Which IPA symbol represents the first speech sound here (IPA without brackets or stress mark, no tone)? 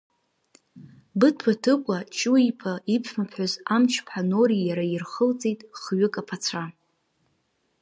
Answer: b